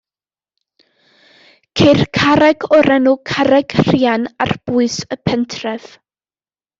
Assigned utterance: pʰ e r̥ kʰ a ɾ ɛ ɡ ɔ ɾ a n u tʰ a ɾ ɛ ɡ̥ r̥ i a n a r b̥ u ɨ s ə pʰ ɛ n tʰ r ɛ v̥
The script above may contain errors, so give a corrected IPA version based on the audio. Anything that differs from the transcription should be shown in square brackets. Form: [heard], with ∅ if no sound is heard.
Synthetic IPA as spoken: [kʰ] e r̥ kʰ a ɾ ɛ ɡ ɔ ɾ [ɛ] n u [kʰ] a ɾ ɛ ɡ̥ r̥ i a n a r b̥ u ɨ s ə pʰ ɛ n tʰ r ɛ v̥